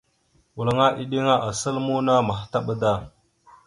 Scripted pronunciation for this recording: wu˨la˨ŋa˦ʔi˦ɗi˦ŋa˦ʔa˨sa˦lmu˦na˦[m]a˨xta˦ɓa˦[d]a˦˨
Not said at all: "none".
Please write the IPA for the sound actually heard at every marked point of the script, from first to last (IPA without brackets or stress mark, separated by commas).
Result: m, d